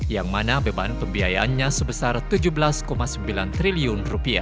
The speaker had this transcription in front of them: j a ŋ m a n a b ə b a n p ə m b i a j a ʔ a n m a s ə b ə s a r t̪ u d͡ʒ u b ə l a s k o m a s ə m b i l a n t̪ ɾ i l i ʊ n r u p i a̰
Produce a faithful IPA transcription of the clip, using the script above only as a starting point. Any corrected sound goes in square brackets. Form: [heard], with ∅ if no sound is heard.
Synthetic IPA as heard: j a ŋ m a n a b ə b a n p ə m b i a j a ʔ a n [ɲ] a s ə b ə s a r t̪ u d͡ʒ u b ə l a s k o m a s ə m b i l a n t̪ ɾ i l i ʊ n r u p i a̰